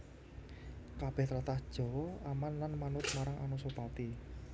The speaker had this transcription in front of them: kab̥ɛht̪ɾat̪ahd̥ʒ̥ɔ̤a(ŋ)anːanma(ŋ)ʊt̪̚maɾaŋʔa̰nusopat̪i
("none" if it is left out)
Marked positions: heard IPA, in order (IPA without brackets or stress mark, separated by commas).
m, n